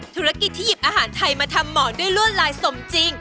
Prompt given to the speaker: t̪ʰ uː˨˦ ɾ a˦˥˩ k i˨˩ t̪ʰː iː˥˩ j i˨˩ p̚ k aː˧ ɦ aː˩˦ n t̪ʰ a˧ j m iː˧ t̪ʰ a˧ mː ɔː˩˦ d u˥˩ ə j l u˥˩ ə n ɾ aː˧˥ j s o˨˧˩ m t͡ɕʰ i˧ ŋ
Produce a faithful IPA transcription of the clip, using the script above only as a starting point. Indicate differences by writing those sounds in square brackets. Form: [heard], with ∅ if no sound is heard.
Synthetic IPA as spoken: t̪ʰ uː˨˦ ɾ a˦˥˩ k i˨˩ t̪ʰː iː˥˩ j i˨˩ p̚ [ʔ] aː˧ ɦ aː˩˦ n t̪ʰ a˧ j m [aː˧] t̪ʰ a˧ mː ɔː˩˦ d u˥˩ ə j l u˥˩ ə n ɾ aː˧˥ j s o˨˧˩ m [t͡ɕ] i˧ ŋ

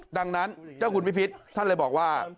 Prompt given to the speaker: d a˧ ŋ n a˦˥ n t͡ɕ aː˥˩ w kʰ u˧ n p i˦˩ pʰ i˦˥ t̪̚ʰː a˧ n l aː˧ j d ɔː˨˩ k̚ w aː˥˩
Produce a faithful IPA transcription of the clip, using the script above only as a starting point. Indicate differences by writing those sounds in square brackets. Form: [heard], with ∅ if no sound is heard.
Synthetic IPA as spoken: d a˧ ŋ n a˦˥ n t͡ɕ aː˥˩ w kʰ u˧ n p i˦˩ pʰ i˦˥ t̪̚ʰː [a˥˩] n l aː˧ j [b] ɔː˨˩ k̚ w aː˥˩

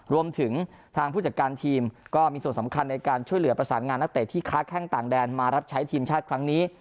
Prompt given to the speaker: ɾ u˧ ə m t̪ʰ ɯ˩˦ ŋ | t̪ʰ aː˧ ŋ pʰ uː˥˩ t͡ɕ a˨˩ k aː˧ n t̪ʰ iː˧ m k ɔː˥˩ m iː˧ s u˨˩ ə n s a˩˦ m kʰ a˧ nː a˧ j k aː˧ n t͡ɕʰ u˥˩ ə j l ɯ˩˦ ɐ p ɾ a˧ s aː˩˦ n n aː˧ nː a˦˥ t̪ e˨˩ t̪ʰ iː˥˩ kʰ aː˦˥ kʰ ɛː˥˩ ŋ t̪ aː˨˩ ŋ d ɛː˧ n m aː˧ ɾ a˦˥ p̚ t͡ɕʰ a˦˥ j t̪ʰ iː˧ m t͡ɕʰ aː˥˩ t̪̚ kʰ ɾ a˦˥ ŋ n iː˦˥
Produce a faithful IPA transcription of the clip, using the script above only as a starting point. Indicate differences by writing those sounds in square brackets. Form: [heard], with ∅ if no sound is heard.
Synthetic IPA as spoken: ɾ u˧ ə m t̪ʰ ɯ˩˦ ŋ | t̪ʰ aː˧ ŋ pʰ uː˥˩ t͡ɕ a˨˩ k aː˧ n t̪ʰ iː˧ m k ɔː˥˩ m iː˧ s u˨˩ ə n s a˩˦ m kʰ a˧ nː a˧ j k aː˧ n t͡ɕʰ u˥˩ ə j l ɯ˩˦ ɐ p ɾ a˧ s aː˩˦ n [ŋ] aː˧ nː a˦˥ t̪ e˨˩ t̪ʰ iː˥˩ kʰ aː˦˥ kʰ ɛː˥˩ ŋ t̪ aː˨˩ ŋ d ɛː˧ n m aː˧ ɾ a˦˥ p̚ t͡ɕʰ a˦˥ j t̪ʰ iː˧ m t͡ɕʰ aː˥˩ t̪̚ kʰ ɾ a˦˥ ŋ n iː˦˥

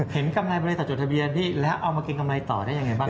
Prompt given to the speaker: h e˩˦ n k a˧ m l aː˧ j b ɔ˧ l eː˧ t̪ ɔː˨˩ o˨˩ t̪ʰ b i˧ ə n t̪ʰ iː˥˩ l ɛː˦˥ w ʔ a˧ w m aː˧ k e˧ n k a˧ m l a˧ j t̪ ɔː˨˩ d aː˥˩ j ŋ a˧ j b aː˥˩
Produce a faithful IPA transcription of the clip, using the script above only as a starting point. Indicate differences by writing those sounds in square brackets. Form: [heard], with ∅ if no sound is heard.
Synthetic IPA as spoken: h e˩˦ n k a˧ m l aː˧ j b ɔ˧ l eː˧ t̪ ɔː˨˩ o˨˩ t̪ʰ b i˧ ə n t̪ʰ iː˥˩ l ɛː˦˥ w ʔ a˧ w m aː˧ k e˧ n k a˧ m l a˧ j t̪ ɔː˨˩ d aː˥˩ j ŋ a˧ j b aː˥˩

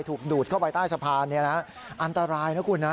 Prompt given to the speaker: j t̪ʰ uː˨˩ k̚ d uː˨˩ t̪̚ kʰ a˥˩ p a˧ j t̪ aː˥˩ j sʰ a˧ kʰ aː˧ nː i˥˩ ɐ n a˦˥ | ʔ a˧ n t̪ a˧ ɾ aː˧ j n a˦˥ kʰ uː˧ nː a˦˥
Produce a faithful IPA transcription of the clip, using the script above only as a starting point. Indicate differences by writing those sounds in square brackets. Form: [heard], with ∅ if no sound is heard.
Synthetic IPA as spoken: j t̪ʰ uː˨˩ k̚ d uː˨˩ t̪̚ kʰ a˥˩ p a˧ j t̪ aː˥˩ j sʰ a˧ [pʰ] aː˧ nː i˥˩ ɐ n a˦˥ | ʔ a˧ n t̪ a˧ ɾ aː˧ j n a˦˥ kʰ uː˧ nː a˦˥

